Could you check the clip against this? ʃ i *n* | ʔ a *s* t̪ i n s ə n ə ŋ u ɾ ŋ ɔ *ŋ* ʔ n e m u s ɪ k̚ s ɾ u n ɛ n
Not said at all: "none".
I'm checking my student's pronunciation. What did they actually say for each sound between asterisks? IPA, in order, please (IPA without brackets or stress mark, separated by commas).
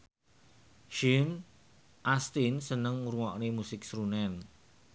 n, s, none